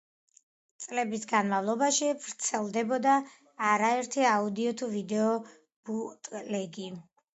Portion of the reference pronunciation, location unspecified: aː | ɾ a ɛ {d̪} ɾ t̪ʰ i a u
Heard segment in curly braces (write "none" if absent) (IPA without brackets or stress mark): none